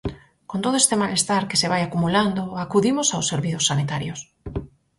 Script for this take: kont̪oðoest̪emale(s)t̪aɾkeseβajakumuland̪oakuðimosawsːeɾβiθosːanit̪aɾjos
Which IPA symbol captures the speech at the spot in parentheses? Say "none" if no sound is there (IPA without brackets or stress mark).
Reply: s